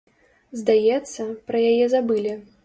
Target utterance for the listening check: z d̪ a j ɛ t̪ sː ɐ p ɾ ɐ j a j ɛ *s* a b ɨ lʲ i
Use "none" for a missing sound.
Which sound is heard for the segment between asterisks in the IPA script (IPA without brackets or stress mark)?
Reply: z